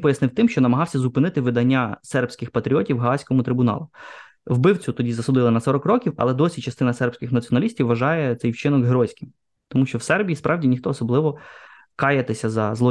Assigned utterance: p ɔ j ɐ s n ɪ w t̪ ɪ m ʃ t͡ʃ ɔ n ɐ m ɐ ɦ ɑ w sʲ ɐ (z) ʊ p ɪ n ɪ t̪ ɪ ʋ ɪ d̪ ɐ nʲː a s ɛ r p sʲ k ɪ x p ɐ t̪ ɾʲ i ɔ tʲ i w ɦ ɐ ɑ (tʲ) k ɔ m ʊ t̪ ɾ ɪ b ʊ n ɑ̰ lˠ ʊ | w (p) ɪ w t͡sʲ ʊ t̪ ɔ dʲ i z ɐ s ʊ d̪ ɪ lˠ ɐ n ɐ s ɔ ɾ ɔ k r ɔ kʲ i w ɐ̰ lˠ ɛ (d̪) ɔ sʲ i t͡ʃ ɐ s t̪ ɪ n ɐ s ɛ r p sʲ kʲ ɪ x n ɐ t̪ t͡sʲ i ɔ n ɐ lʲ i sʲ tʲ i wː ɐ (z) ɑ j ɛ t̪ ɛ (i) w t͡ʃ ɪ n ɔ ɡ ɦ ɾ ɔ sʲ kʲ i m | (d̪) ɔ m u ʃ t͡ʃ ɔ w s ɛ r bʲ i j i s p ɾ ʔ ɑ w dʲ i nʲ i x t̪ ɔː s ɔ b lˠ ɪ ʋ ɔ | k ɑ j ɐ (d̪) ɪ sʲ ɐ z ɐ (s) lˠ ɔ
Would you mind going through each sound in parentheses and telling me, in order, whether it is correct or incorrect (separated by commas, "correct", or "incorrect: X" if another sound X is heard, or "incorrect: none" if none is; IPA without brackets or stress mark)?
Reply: correct, incorrect: sʲ, incorrect: b, correct, incorrect: ʒ, incorrect: j, incorrect: t̪, incorrect: t̪, incorrect: z